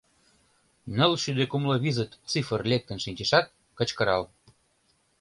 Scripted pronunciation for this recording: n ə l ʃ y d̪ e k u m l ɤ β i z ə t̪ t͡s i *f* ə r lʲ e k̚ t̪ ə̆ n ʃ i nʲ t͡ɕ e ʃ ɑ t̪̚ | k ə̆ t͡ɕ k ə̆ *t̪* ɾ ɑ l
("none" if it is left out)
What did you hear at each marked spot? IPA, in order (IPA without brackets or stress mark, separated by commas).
f, none